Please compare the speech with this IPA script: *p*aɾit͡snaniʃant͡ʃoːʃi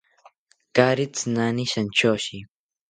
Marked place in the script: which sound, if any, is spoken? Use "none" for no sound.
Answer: k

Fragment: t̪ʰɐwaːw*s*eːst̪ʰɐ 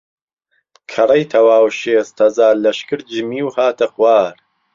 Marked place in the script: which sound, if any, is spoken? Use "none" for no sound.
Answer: ʃ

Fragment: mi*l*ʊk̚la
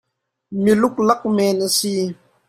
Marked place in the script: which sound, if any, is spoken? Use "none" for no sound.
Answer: l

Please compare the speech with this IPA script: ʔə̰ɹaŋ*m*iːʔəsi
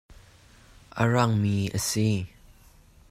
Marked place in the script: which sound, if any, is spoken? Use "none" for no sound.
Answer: m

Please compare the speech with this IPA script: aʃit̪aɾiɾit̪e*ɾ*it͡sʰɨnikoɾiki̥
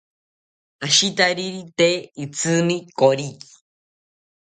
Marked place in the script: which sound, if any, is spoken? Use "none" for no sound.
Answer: none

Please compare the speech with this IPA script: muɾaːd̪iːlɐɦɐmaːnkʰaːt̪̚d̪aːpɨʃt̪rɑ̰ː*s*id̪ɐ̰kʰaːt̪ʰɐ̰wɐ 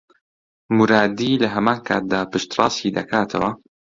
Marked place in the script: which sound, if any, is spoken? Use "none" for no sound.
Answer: s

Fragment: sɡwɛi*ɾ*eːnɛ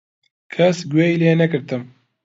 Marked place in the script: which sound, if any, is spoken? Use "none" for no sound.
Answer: l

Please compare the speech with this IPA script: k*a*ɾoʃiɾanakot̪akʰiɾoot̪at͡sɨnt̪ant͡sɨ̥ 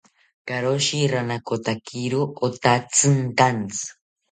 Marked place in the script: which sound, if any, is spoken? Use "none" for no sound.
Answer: a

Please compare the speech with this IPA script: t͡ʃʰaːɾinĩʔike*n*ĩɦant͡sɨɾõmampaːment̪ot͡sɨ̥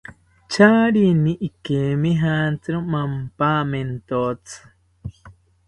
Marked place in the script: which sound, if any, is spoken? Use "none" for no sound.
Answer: m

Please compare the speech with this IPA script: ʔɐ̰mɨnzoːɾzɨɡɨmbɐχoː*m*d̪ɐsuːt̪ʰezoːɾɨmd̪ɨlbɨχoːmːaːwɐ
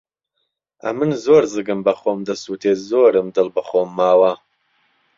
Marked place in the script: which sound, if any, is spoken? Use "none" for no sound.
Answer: m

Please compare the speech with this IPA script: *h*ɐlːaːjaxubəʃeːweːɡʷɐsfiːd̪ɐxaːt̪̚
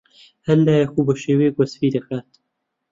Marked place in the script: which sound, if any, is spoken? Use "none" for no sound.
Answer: h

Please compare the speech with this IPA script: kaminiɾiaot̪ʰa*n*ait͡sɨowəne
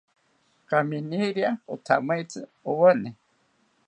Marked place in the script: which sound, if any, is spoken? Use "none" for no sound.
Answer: m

